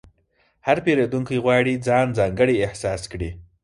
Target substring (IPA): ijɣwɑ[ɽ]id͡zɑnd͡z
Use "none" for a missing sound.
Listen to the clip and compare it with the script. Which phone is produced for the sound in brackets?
ɽ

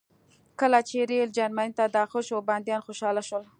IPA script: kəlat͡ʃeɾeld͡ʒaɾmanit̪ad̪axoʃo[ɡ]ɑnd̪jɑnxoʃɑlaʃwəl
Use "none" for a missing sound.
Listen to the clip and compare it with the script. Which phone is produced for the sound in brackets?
b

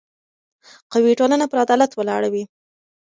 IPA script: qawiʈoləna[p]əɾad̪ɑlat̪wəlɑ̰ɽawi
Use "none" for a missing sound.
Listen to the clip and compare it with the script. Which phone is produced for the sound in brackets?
p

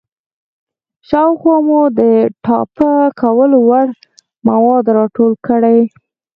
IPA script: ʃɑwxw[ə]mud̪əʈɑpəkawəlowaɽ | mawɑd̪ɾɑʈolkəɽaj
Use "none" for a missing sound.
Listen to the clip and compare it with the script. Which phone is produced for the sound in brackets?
ɑ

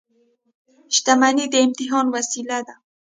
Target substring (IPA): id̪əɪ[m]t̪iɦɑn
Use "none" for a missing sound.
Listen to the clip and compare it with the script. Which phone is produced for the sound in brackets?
m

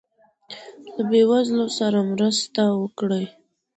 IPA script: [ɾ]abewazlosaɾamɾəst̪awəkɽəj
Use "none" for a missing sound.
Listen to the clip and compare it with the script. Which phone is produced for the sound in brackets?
l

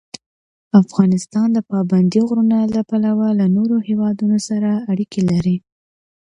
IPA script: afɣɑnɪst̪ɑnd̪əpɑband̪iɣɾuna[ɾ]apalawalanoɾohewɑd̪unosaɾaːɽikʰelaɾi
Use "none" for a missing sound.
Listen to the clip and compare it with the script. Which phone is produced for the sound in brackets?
l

